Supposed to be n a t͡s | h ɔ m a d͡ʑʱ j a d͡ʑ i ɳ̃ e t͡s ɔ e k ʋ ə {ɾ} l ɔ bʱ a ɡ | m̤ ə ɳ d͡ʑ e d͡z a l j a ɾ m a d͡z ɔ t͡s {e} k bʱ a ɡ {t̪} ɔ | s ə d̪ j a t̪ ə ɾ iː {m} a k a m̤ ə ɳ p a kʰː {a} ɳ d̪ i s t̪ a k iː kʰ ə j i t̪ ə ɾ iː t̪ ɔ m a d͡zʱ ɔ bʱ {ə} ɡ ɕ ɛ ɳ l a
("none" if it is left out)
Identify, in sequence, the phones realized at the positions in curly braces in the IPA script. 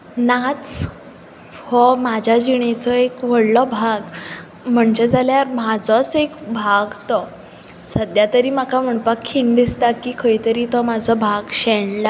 ɽ, e, t̪, m, i, a

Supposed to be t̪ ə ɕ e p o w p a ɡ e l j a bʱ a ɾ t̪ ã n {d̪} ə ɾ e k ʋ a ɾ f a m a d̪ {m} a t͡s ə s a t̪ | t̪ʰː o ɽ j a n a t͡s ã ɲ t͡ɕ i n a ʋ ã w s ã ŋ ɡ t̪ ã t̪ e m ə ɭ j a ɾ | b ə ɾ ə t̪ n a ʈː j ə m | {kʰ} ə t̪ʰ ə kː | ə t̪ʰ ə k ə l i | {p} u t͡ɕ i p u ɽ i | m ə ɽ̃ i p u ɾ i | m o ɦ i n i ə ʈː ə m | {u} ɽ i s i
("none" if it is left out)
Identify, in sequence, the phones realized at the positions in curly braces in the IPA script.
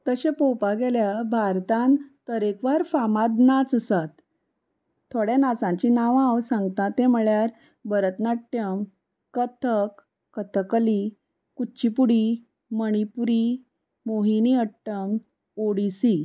t̪, n, k, k, o

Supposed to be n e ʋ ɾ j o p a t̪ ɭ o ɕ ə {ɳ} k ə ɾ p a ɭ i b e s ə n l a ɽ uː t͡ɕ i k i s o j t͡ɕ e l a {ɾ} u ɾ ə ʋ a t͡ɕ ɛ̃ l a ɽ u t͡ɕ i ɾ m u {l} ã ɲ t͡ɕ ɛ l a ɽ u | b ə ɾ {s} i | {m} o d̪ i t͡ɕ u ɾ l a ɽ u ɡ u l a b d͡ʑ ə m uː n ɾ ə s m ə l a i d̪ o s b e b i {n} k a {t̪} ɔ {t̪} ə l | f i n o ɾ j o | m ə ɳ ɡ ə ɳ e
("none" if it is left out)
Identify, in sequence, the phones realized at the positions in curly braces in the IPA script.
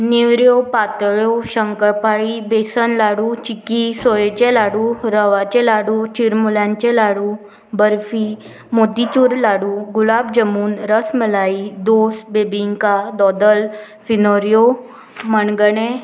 ŋ, ɽ, l, f, m, ŋ, d̪, d̪

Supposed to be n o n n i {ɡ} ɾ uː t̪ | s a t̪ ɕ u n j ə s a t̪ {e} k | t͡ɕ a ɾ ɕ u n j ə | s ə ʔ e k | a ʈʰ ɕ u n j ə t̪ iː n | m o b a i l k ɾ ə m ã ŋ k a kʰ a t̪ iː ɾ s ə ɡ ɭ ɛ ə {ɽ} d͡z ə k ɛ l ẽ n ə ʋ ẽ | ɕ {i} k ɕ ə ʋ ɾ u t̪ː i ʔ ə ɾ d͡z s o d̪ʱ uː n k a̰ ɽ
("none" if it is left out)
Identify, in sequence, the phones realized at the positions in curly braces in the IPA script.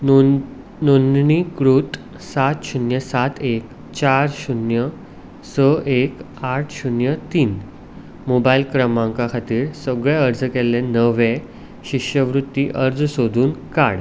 k, e, ɾ, i

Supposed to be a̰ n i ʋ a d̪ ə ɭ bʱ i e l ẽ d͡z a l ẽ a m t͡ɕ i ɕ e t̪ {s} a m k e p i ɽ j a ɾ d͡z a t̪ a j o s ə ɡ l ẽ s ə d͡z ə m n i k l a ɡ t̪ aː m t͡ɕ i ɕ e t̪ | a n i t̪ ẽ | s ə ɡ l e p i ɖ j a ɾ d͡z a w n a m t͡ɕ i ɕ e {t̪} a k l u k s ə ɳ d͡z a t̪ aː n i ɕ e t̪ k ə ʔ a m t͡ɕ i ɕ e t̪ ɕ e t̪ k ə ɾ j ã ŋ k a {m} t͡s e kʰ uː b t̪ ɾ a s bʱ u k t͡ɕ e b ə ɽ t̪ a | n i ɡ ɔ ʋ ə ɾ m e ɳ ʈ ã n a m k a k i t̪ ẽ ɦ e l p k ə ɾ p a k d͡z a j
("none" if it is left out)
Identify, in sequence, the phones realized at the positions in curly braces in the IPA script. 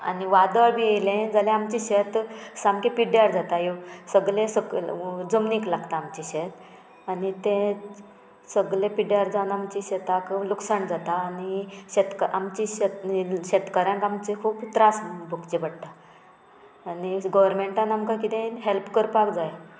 s, t̪, m

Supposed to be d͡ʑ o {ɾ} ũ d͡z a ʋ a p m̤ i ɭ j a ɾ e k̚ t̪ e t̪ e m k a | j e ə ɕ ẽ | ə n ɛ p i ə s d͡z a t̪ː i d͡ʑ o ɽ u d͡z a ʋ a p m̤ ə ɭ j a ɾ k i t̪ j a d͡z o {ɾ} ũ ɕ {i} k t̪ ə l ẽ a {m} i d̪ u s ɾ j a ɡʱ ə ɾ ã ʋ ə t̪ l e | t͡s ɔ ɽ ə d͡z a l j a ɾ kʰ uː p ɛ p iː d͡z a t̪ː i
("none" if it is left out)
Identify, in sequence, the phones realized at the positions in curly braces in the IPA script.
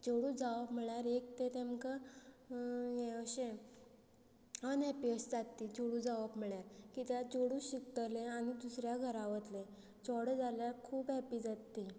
ɽ, ɽ, i, n

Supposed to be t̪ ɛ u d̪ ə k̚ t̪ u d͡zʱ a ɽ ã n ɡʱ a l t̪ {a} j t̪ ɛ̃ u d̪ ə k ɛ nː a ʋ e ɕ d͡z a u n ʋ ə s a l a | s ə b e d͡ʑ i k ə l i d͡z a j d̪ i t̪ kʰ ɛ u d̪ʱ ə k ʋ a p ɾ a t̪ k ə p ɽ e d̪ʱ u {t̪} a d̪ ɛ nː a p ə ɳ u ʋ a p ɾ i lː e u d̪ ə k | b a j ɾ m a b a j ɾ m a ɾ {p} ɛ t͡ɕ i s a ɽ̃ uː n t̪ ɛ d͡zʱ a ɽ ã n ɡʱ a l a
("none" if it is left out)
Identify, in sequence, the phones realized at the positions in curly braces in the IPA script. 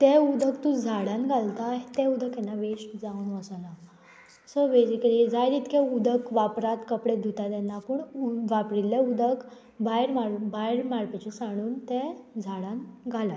a, t̪, p

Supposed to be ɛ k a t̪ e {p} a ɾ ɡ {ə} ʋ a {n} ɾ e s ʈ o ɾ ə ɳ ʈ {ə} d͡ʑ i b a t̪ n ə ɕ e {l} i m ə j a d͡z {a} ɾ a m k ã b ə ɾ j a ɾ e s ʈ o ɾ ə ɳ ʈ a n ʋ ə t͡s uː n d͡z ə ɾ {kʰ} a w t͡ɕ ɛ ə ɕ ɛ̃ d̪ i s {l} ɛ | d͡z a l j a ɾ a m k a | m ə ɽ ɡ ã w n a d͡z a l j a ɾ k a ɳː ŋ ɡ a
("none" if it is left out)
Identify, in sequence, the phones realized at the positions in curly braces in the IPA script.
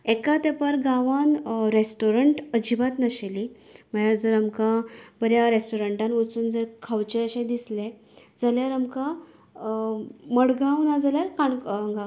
p, a, n, ə, l, ə, kʰ, l

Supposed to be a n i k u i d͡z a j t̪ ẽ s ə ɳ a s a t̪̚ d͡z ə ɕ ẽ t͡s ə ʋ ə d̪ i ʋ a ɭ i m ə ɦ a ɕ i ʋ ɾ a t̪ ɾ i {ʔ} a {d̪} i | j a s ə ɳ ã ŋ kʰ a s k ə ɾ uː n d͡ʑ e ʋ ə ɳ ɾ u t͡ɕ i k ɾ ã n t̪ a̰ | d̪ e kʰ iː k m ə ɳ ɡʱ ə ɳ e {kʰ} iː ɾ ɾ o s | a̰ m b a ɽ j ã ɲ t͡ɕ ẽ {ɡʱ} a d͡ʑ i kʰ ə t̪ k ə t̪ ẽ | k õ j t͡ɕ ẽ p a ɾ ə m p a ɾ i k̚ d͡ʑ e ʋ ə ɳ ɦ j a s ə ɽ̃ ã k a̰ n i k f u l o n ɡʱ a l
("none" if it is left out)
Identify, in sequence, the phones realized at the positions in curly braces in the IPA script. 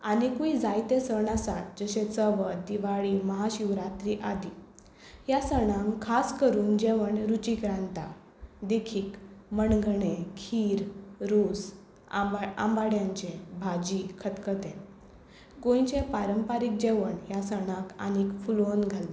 ʔ, d̪, kʰ, bʱ

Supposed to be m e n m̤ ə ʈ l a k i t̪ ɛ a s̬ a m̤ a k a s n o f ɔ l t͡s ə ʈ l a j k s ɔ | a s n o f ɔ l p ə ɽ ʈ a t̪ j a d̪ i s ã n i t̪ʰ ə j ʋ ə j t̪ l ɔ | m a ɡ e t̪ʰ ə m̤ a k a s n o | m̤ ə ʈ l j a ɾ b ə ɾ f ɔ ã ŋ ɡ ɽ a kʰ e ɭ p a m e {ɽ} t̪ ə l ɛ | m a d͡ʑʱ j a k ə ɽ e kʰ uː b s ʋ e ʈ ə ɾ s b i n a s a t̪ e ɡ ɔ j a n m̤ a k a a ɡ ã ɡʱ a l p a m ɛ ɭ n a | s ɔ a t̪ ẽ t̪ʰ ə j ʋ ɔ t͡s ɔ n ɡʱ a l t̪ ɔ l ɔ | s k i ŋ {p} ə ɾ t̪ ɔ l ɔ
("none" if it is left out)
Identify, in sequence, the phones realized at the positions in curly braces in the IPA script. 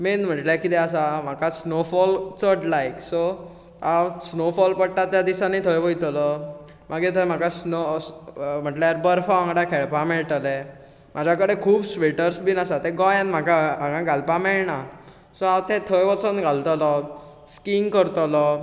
ɭ, k

